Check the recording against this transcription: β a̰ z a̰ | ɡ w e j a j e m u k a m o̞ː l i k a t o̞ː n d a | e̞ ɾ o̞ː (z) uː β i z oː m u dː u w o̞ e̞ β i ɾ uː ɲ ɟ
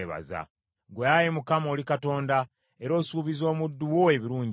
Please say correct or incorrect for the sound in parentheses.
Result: incorrect